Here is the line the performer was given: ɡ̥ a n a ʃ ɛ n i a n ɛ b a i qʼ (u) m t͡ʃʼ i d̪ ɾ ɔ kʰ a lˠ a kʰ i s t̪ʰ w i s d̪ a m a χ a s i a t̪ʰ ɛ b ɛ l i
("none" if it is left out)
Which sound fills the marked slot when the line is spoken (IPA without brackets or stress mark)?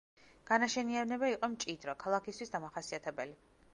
ɔ